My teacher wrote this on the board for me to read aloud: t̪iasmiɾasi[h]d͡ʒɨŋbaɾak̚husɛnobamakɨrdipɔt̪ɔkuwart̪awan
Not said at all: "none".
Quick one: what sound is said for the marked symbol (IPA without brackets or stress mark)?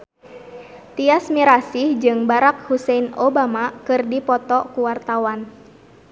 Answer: h